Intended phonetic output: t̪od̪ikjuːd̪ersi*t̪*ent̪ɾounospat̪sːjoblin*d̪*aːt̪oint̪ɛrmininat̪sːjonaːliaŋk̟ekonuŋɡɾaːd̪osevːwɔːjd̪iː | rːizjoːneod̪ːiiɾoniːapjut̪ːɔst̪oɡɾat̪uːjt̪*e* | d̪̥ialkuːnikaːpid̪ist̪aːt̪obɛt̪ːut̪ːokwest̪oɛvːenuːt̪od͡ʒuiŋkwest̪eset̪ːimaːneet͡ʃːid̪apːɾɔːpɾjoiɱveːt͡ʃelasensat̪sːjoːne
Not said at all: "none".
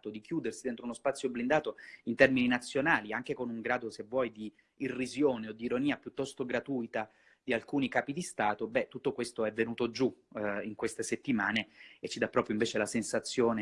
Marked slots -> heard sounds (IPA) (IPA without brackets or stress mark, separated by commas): d̪, d̪, a